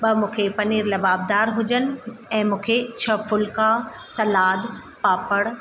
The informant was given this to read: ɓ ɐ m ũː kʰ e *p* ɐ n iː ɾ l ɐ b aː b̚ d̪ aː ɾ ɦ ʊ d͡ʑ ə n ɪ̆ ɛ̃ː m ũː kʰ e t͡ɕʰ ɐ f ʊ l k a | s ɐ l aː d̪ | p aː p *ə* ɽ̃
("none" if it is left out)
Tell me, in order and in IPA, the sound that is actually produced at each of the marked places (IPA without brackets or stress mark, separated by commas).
p, ə